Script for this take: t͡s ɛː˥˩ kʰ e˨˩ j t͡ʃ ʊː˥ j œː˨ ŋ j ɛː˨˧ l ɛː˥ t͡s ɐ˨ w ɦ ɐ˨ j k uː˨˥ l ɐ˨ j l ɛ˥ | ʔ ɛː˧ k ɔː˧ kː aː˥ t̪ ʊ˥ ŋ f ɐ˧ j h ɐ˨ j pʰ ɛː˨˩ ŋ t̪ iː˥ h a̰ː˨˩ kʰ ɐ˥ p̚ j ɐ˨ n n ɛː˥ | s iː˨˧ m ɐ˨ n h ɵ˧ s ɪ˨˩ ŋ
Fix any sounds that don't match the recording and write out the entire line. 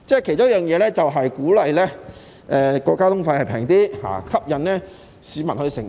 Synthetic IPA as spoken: t͡s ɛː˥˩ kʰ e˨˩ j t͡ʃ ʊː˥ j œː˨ ŋ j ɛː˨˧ l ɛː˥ t͡s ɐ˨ w ɦ ɐ˨ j k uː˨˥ l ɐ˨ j l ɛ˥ | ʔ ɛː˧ k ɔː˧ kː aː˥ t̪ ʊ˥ ŋ f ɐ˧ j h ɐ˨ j pʰ ɛː˨˩ ŋ t̪ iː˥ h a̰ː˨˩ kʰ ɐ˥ p̚ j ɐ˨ n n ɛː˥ | s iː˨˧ m ɐ˨ n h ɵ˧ s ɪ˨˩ ŋ